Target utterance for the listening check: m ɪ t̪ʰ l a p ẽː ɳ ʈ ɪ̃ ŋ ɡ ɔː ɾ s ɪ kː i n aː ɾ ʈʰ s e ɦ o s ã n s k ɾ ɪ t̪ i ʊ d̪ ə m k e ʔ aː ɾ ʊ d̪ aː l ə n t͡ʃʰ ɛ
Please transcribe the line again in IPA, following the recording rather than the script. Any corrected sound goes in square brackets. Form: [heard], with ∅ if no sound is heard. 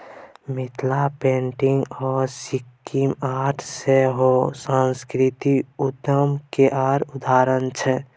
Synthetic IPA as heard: m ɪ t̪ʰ l a p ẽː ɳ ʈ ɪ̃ ŋ ɡ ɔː ɾ s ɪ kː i [m] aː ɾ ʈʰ s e ɦ o s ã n s k ɾ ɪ t̪ i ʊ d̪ ə m k e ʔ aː ɾ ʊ d̪ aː [ɾ] ə n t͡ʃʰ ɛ